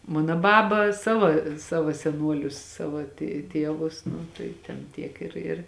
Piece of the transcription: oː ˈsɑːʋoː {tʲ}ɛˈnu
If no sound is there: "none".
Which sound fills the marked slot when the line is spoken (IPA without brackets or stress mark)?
sʲ